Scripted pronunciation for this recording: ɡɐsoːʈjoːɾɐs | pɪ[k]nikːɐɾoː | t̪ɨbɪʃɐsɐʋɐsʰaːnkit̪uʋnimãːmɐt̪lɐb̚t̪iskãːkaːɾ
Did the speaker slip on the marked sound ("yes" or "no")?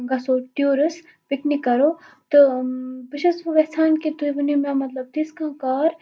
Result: no